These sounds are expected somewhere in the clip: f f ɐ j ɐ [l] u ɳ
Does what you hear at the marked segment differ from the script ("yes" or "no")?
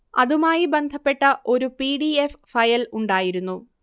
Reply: no